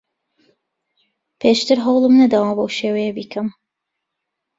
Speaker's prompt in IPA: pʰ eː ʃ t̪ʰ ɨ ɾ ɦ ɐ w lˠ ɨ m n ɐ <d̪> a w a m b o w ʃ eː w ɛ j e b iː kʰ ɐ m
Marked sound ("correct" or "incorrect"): correct